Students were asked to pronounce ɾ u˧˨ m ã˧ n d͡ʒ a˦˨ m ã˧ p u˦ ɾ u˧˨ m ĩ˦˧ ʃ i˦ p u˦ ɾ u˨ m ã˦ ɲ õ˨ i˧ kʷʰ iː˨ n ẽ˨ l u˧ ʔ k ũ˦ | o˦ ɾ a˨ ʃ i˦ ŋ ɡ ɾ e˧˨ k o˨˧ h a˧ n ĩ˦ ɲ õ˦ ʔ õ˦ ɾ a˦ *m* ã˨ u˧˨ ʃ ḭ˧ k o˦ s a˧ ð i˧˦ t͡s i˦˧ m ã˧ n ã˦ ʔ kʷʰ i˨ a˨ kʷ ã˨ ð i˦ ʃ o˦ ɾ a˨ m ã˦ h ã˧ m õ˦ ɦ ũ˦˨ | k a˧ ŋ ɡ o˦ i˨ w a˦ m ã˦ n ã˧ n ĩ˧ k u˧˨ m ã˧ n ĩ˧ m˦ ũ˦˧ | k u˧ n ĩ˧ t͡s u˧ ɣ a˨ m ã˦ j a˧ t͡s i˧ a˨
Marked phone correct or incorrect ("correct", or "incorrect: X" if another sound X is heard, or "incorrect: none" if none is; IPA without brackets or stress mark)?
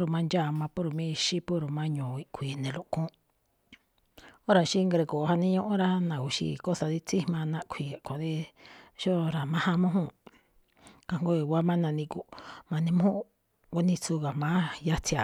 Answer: incorrect: n